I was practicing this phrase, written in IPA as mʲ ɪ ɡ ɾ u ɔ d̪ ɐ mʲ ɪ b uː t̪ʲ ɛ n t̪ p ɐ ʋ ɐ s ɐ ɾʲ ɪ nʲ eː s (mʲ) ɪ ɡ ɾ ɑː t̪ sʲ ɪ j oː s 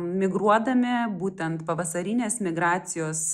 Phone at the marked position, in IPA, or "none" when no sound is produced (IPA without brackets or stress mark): mʲ